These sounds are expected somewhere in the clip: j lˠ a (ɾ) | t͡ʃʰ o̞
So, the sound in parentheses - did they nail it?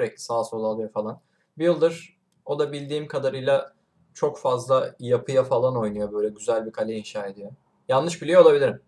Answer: no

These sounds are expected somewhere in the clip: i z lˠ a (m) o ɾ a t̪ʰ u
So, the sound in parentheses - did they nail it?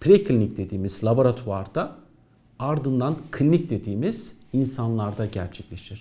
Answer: no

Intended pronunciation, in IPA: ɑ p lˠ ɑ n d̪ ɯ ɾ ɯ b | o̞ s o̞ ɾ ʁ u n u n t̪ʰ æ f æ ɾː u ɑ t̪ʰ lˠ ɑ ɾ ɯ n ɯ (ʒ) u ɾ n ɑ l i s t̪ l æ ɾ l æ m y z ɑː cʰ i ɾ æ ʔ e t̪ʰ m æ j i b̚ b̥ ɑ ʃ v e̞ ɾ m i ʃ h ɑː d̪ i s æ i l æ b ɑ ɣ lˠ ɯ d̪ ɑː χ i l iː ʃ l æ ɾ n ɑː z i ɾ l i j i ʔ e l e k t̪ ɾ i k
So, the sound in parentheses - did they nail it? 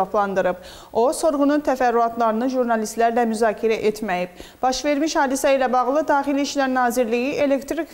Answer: yes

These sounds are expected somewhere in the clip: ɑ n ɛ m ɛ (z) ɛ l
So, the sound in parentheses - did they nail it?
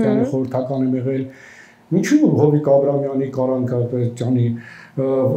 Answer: no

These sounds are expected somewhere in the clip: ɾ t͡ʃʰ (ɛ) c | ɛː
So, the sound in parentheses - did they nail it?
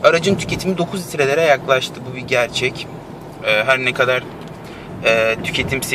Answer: yes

